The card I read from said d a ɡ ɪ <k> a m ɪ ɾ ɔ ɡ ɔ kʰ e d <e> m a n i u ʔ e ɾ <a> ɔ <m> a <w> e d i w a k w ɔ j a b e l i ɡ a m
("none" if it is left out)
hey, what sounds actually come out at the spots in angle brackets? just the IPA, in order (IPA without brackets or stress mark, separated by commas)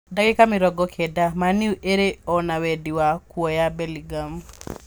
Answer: k, a, e, n, w